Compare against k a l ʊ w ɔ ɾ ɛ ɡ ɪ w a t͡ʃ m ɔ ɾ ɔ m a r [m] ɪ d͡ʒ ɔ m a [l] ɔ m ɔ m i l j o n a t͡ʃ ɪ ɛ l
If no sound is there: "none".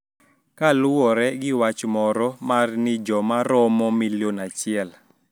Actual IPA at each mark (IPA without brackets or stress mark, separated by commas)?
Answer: n, ɾ